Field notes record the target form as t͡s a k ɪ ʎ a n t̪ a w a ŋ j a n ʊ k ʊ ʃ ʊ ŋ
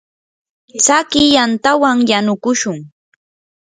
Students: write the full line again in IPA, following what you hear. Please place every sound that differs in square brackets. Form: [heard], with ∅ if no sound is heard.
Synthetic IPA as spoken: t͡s a k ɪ [j] a n t̪ a w a ŋ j a n ʊ k ʊ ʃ ʊ ŋ